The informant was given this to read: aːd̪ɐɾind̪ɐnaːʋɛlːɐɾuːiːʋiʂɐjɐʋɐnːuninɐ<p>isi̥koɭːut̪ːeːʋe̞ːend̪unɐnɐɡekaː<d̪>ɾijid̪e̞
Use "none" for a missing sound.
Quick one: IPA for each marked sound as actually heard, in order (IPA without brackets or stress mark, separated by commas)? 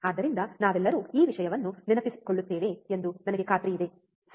p, t̪